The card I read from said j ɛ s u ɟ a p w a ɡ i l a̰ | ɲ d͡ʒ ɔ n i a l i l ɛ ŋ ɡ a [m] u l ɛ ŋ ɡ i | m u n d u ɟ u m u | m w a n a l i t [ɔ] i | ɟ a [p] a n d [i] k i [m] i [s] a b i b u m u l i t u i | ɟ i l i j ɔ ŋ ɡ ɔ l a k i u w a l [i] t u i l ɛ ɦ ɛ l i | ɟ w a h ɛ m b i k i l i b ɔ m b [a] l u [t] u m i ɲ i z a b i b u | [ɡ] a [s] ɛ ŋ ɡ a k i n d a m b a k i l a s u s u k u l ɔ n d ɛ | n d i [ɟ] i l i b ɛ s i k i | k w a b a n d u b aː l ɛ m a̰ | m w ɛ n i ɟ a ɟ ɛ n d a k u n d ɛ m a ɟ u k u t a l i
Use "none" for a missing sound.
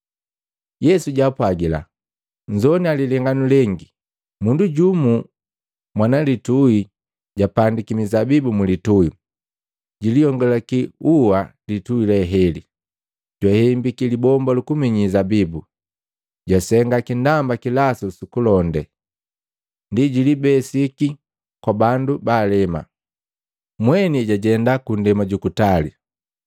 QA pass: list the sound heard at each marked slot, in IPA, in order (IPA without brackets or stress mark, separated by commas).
n, u, p, i, m, z, i, a, k, ɟ, s, ɟ